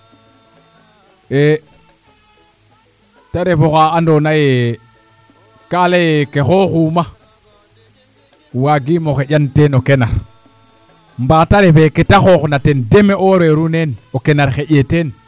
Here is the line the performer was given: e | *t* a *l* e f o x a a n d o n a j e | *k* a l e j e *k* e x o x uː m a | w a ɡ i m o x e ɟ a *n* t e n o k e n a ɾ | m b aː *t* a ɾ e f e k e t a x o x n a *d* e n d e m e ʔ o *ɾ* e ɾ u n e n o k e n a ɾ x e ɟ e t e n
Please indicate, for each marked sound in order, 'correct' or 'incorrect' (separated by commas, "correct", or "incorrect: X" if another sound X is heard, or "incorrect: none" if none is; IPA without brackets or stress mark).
correct, incorrect: ɾ, correct, correct, correct, correct, incorrect: t, correct